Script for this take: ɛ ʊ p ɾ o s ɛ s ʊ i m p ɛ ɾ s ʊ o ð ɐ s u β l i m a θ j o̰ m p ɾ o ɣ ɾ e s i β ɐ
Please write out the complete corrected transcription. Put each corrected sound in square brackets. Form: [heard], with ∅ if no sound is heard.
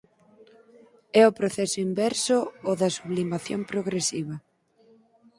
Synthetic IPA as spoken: ɛ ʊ p ɾ o [θ] ɛ s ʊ i m [b] ɛ ɾ s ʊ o ð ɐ s u β l i m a θ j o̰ m p ɾ o ɣ ɾ e s i β ɐ